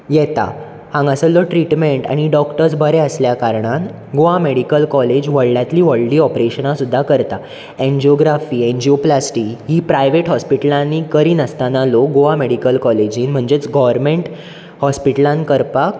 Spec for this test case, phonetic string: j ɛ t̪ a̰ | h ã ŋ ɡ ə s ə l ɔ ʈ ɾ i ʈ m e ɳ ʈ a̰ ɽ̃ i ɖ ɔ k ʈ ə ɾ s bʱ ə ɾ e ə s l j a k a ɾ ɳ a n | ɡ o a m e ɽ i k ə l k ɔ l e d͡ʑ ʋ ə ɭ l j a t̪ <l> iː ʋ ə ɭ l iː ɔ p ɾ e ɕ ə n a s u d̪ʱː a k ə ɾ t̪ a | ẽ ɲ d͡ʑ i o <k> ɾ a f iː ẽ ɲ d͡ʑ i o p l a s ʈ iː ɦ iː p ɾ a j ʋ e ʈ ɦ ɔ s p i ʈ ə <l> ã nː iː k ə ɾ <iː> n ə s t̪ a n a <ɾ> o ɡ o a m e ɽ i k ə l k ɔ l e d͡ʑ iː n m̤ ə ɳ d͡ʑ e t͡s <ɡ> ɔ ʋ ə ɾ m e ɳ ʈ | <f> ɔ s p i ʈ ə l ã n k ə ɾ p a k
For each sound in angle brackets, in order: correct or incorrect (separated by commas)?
correct, incorrect, correct, correct, incorrect, correct, incorrect